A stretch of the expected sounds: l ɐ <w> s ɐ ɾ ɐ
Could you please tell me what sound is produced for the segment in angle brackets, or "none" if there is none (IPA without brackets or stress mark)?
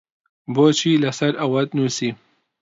none